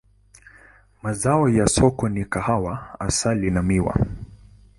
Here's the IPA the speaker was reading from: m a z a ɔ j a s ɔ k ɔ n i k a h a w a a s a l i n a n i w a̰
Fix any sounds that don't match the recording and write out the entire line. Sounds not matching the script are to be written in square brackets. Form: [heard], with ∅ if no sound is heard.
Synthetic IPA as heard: m a z a ɔ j a s ɔ k ɔ n i k a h a w a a s a l i n a [m] i w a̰